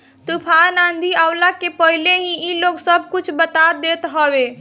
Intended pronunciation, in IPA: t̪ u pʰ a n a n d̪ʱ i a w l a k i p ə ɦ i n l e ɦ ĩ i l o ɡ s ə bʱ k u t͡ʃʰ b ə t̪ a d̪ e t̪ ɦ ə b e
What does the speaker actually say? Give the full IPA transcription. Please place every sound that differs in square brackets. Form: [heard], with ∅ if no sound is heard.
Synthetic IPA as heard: t̪ u pʰ a n a n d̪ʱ i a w l a k [e] p ə ɦ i [∅] l e ɦ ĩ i l o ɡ s ə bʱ k u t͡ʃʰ b ə t̪ a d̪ e t̪ ɦ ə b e